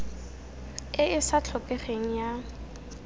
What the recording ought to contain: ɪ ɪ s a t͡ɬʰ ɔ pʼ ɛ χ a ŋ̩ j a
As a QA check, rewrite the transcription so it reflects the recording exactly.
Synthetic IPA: ɪ ɪ s a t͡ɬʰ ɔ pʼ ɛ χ e ŋ̩ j a

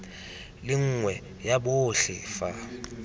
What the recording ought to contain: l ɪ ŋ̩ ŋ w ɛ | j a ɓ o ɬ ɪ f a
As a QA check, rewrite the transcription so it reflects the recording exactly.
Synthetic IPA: l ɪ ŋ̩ ŋ w ɛ | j a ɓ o ɬ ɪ f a

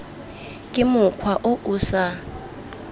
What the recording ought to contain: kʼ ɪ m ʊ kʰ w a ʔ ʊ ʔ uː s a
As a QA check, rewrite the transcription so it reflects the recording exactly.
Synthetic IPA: kʼ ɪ m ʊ kʰ w a ʔ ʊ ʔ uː s a

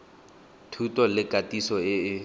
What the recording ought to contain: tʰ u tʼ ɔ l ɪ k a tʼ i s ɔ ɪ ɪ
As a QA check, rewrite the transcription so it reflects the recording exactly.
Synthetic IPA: tʰ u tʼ ɔ l ɪ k a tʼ i s ɔ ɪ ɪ

